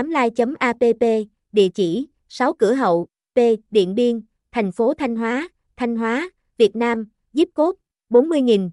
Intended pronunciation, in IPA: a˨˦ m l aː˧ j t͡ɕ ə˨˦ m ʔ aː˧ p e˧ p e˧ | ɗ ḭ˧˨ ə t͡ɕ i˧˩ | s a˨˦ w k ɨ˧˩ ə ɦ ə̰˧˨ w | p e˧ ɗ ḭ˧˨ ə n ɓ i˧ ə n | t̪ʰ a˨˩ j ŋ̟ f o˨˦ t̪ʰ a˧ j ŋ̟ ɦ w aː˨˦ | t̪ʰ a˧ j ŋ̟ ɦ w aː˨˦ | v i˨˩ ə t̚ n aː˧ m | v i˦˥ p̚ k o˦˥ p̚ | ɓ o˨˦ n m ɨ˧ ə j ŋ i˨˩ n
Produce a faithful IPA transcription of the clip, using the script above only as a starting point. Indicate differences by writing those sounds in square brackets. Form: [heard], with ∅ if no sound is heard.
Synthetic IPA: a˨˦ m l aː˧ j t͡ɕ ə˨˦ m ʔ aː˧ p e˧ p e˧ | ɗ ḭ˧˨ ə t͡ɕ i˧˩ | s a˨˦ w k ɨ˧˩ ə ɦ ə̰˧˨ w | p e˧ ɗ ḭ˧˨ ə n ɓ i˧ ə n | t̪ʰ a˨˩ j ŋ̟ f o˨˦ t̪ʰ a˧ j ŋ̟ ɦ w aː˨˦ | t̪ʰ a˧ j ŋ̟ ɦ w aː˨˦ | v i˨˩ ə t̚ n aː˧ m | [z] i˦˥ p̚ k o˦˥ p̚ | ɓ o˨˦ n m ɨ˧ ə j ŋ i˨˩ n